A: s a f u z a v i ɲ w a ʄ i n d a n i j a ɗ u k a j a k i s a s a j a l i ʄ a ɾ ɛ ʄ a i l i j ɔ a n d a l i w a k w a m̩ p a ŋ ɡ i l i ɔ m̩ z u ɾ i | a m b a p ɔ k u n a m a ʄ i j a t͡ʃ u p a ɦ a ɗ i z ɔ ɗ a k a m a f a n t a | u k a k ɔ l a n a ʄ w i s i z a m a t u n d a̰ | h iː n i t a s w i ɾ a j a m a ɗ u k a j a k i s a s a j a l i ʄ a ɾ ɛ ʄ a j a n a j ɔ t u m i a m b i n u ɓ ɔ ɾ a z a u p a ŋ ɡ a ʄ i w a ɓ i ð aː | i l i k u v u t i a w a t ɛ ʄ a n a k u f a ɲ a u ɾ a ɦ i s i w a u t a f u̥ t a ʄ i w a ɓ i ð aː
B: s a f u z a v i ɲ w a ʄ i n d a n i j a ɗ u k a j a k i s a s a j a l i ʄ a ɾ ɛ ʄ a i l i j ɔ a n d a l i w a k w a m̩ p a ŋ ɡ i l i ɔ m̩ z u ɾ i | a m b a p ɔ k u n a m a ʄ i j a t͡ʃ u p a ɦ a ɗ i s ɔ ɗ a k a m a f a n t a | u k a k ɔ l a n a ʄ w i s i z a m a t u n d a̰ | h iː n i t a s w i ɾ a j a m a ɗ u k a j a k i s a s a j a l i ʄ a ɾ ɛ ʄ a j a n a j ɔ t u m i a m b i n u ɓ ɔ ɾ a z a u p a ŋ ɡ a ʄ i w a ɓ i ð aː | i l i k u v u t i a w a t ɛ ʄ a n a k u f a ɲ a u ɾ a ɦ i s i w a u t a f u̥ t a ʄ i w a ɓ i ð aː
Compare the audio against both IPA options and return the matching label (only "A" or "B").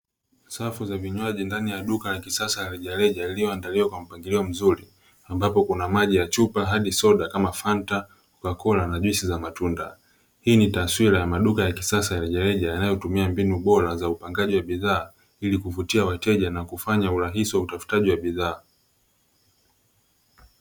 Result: B